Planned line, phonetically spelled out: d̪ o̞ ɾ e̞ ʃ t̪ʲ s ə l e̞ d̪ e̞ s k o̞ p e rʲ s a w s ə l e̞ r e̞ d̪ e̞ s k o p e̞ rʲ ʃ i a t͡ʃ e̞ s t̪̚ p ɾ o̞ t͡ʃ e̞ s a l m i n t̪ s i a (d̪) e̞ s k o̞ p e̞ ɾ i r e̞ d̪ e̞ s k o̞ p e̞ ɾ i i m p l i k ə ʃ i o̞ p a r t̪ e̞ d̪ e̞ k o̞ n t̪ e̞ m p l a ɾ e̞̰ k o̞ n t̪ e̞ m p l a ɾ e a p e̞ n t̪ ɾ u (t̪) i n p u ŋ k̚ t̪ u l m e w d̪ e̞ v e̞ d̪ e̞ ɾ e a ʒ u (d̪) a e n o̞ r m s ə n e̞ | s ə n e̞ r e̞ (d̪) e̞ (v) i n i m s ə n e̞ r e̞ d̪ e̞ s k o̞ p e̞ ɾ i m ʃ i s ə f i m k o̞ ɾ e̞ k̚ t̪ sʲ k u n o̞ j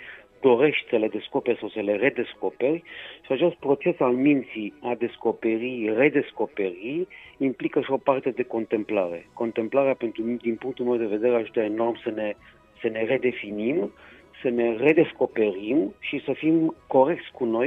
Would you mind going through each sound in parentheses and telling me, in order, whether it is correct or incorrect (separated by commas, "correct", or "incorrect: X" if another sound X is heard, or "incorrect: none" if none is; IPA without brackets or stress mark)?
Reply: correct, incorrect: d̪, incorrect: t̪, correct, incorrect: f